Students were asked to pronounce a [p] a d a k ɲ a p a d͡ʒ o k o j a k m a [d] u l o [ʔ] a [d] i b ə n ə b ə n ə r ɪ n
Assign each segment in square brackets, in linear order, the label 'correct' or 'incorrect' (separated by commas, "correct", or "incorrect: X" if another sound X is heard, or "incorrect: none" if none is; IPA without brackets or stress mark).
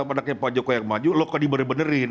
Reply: correct, incorrect: d͡ʒ, incorrect: k, correct